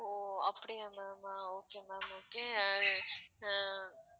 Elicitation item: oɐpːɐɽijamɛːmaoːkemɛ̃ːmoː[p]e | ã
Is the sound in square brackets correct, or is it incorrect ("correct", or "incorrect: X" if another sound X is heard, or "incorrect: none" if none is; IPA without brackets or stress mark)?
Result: incorrect: k